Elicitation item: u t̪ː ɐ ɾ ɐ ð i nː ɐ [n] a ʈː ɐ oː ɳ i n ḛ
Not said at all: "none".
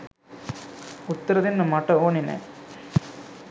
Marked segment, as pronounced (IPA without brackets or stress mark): m